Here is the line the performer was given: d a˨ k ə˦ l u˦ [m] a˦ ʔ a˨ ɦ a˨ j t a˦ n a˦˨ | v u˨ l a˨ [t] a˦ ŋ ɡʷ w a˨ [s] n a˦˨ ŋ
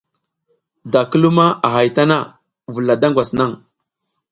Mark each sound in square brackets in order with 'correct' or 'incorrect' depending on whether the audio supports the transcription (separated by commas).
correct, incorrect, correct